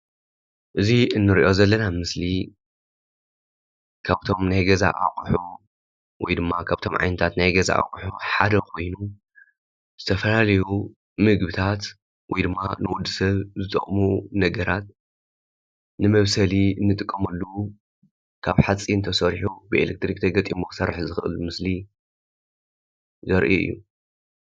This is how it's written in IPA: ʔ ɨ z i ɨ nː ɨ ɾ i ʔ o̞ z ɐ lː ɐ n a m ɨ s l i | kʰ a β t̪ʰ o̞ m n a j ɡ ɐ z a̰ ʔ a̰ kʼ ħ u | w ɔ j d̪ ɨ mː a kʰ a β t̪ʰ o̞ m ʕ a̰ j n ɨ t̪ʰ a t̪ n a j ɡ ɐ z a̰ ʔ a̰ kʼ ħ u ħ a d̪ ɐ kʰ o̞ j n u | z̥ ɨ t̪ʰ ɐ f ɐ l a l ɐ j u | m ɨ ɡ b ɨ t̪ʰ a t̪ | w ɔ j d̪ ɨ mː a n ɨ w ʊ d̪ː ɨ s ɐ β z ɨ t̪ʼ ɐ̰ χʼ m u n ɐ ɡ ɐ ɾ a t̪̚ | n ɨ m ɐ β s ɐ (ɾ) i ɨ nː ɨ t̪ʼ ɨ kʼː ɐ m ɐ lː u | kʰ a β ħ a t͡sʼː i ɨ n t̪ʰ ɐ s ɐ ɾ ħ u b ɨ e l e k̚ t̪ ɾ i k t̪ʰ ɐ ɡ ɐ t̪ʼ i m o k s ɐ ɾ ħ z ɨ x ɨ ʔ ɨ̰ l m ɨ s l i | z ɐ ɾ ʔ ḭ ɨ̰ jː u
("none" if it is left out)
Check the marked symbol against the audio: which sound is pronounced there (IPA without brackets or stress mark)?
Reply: l